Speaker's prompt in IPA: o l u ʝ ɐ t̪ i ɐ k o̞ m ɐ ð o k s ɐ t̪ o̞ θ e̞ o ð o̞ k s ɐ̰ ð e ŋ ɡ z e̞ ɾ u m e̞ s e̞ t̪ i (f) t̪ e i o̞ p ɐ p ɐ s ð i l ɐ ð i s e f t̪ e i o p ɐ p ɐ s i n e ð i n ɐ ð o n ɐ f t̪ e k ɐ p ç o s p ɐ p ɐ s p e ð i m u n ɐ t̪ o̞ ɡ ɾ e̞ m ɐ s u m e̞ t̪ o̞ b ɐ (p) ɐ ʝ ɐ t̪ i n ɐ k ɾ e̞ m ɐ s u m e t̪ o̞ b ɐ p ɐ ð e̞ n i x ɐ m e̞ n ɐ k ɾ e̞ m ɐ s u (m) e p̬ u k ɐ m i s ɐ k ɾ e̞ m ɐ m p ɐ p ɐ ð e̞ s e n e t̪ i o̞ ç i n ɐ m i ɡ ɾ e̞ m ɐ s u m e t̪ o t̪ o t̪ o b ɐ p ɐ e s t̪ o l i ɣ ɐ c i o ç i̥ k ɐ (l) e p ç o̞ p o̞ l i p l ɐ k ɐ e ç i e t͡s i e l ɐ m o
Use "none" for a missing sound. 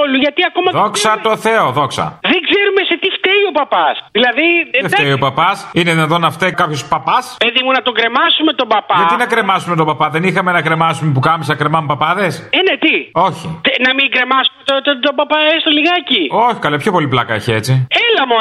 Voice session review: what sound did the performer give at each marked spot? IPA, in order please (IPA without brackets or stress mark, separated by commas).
f, p, m, l